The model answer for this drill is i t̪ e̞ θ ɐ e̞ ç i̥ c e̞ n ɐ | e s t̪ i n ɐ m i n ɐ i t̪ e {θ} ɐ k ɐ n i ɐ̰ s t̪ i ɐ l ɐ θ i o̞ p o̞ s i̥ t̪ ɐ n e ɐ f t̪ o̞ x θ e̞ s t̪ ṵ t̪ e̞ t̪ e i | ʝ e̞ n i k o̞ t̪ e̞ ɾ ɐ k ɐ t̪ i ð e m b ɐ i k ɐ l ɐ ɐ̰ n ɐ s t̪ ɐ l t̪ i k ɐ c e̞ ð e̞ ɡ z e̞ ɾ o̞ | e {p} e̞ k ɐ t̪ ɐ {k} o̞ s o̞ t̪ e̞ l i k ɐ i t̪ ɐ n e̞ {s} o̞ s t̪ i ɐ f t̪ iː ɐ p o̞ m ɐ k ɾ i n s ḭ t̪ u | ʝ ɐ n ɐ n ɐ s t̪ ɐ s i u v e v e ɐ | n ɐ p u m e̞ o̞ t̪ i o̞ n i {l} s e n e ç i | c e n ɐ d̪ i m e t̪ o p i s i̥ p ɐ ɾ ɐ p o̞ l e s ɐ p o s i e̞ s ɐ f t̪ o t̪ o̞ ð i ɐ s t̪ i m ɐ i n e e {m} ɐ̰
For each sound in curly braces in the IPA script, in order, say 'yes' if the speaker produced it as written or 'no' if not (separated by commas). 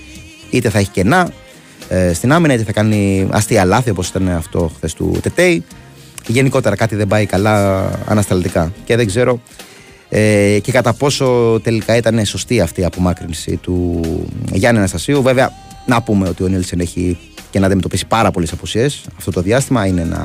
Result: yes, no, no, yes, yes, no